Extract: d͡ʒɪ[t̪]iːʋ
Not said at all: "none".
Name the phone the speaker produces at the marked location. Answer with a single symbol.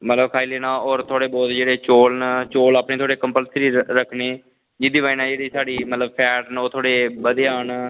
d̪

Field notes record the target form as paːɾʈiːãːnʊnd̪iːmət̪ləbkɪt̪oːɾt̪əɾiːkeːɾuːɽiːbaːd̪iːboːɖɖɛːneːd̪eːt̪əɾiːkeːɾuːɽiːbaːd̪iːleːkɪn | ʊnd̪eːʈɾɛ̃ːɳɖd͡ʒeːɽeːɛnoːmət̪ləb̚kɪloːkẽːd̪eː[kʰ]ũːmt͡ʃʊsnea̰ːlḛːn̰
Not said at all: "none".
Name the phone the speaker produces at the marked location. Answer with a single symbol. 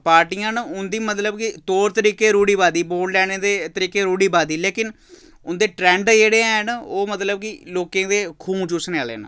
kʰ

